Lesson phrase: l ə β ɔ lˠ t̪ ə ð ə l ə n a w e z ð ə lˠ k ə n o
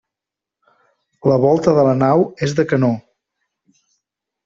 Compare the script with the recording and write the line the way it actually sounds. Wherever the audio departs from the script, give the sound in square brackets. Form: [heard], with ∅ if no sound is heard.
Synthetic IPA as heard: l ə β ɔ lˠ t̪ ə ð ə l ə n a w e z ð ə [∅] k ə n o